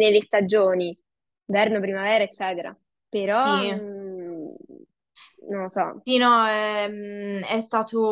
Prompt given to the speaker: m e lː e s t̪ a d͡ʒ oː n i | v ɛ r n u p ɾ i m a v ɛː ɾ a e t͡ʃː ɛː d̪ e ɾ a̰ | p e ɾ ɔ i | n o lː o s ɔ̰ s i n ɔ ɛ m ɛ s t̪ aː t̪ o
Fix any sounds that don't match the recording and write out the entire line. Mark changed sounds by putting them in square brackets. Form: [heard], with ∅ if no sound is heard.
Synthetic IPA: [n] e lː e s t̪ a d͡ʒ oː n i | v ɛ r n [o] p ɾ i m a v ɛː ɾ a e t͡ʃː ɛː [t̪] e ɾ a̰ | p e ɾ ɔ i | n o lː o s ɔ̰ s i n ɔ ɛ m ɛ s t̪ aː t̪ o